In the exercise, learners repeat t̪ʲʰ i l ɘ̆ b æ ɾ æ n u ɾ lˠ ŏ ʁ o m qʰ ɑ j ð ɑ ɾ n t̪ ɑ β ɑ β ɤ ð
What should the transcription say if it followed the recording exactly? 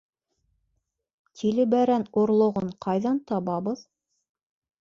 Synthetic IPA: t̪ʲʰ i l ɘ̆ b æ ɾ æ n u ɾ lˠ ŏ ʁ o ɴ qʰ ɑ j ð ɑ n t̪ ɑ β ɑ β ɤ ð

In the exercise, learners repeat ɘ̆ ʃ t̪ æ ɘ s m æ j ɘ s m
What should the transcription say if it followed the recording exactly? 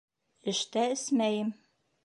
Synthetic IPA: ɘ̆ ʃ t̪ æ ɘ s m æ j ɘ m

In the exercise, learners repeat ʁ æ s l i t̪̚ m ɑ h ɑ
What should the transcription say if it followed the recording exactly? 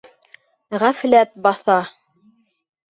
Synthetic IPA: ʁ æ f l æ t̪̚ b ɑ θ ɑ

